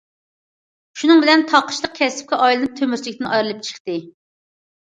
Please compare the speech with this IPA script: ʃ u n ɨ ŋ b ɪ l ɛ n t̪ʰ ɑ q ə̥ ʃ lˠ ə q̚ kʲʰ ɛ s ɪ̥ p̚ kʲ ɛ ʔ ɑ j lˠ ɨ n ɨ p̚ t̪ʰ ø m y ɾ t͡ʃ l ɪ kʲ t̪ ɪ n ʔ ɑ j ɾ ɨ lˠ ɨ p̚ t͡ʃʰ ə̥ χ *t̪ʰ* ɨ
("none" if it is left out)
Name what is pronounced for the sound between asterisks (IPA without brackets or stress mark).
t̪